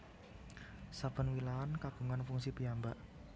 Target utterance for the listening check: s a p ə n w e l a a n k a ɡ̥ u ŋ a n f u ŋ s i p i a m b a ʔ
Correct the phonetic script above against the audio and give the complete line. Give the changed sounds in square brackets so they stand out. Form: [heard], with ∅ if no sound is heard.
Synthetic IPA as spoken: s a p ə n w [i] l a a n k a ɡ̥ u ŋ a n f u ŋ s i p i a m b a ʔ